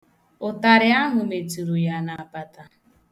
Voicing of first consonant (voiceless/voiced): voiceless